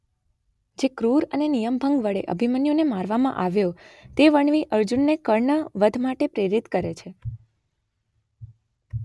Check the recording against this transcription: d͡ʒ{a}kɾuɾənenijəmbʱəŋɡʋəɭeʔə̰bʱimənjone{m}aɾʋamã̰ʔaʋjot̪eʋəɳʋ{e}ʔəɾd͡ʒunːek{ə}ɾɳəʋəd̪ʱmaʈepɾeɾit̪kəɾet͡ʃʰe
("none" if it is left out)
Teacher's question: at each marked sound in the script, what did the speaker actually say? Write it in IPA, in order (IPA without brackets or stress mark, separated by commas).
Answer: e, m, i, ə